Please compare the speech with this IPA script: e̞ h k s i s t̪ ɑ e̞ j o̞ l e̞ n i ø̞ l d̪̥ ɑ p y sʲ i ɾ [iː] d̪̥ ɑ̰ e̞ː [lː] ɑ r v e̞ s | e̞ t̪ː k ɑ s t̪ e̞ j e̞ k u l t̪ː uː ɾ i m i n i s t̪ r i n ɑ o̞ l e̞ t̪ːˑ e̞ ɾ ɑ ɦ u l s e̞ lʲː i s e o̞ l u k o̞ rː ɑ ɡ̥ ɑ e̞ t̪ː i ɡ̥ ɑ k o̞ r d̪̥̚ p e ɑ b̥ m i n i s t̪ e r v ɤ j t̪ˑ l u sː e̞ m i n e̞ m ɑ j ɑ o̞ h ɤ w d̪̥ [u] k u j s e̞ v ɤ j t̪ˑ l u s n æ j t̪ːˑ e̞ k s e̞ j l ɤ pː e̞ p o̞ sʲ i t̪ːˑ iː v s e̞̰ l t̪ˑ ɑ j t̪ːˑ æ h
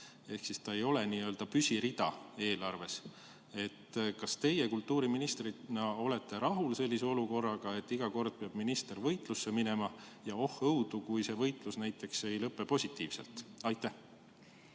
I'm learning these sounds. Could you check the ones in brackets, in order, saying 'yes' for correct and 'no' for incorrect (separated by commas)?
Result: no, no, yes